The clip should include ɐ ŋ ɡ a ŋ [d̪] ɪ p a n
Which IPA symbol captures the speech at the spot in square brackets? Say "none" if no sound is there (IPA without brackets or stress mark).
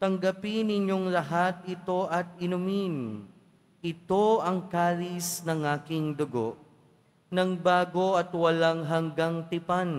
t̪